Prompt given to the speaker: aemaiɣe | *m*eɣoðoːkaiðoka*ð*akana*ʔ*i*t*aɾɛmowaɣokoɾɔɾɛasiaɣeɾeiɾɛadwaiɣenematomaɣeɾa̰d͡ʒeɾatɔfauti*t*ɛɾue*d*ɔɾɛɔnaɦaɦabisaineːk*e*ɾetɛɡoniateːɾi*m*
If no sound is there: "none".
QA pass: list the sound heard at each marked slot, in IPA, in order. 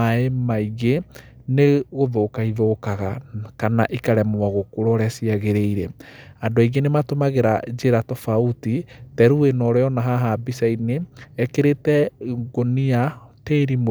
n, ɣ, ʔ, k, t, n, e, m

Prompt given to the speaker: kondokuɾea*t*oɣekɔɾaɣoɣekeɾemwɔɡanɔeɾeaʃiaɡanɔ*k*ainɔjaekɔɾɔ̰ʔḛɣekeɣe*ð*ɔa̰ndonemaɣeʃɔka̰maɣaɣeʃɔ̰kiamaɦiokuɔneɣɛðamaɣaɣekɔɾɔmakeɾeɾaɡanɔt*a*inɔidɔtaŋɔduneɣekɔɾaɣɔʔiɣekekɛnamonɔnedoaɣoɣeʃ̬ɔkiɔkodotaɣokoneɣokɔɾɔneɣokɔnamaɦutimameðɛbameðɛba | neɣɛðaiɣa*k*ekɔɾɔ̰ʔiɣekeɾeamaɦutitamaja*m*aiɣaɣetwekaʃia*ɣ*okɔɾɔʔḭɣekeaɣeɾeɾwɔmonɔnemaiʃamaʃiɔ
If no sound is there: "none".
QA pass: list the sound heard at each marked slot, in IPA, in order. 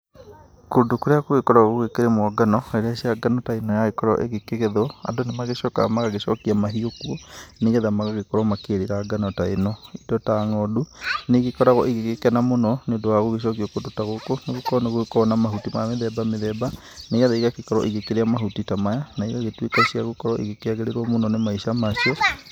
k, t, ð, a, k, n, ɣ

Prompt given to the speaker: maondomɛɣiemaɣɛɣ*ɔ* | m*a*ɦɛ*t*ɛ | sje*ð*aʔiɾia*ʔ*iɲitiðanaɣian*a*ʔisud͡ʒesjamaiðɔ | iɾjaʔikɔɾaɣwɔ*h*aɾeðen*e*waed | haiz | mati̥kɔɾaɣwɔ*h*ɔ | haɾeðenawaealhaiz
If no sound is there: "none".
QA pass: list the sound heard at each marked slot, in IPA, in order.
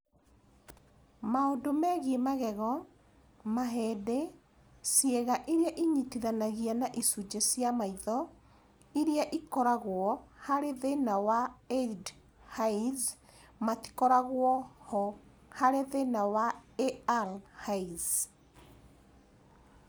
ɔ, a, d, ɣ, ʔ, a, h, a, h

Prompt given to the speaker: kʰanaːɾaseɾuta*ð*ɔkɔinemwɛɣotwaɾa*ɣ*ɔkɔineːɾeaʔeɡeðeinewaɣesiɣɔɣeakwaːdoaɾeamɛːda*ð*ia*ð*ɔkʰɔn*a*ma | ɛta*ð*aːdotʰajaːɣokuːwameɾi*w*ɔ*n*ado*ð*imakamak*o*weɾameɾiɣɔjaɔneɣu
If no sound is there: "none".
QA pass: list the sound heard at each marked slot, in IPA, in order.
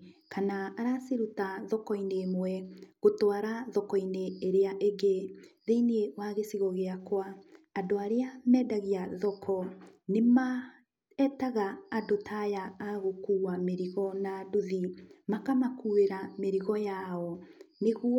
ð, ð, ɣ, ð, e, ɣ, ɣ, n, ð, u

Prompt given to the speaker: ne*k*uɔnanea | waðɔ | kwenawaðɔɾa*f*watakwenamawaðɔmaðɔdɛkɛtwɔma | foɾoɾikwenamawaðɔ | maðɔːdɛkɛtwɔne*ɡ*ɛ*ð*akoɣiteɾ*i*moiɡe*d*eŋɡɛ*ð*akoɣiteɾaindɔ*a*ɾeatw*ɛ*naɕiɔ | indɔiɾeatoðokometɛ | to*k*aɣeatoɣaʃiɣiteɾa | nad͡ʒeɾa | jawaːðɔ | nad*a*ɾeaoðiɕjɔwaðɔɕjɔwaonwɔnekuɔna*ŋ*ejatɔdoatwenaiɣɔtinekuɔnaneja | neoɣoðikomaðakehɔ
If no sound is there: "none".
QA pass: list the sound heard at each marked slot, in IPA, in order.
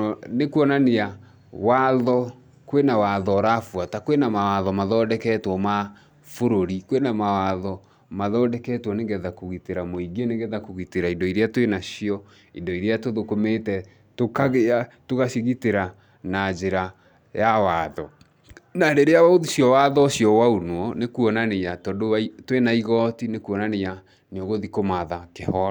k, f, ɡ, ð, a, n, ð, i, e, k, e, n

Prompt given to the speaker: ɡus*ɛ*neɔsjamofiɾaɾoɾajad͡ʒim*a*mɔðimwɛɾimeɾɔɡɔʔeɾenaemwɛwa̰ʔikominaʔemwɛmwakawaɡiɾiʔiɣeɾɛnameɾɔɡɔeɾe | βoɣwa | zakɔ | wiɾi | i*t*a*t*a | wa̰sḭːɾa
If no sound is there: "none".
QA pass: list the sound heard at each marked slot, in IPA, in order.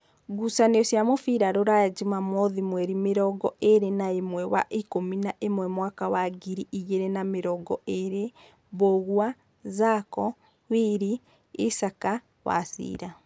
a, a, s, k

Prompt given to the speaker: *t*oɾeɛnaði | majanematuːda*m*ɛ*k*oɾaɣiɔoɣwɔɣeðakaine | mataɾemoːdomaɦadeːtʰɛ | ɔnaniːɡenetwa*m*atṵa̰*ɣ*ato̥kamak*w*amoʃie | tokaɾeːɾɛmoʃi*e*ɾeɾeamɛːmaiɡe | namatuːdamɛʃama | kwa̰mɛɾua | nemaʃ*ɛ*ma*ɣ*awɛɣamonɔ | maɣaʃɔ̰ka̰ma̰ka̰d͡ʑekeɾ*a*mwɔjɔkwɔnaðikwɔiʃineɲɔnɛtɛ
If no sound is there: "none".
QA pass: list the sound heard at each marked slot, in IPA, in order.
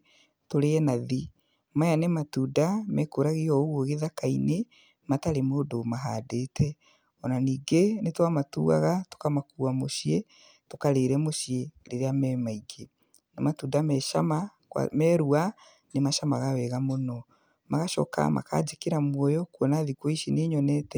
t, m, k, m, ɣ, u, e, a, ɣ, a

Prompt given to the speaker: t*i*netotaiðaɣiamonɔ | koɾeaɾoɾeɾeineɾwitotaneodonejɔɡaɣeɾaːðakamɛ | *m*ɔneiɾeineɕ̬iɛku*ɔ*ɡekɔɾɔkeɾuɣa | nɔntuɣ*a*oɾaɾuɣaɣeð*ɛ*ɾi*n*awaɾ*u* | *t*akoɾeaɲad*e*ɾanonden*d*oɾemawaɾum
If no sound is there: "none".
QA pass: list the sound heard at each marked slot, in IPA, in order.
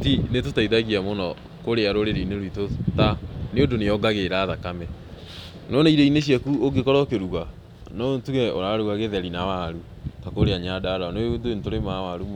i, n, o, ɛ, ɛ, n, u, t, a, t

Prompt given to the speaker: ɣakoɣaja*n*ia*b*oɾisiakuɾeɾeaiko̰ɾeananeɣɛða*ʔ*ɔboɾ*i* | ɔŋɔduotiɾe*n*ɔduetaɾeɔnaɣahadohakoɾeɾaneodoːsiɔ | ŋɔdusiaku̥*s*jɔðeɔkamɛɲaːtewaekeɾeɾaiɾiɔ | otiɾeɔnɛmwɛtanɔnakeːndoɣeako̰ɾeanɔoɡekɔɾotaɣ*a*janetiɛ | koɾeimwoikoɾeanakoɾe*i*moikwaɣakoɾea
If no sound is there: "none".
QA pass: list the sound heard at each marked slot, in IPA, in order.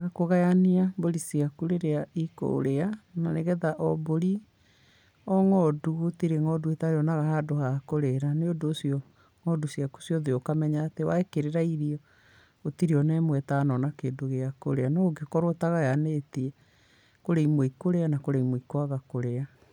n, b, ʔ, i, ŋ, s, a, i

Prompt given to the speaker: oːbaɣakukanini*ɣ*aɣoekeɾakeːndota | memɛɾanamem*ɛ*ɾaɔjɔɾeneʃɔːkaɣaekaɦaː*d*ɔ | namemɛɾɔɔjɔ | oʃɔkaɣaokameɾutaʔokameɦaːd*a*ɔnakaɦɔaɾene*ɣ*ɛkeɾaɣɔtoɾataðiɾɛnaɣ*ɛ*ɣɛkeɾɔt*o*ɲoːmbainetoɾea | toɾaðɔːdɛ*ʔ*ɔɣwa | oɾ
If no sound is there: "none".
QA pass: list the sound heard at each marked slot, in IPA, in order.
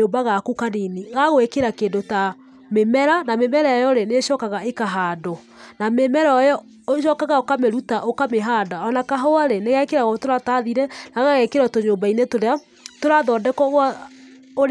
ɣ, ɛ, d, a, ɣ, a, o, k

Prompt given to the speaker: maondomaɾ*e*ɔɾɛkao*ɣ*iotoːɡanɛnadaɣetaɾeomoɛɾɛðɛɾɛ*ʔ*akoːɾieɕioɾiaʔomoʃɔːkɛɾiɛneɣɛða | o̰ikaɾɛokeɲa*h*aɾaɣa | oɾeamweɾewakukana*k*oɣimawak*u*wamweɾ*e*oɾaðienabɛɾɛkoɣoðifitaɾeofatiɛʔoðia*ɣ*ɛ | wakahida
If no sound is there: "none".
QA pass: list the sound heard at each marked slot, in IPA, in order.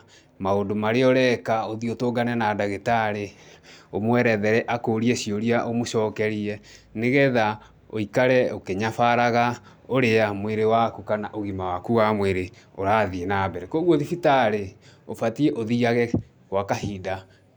e, ð, ʔ, f, ʔ, u, e, ɣ

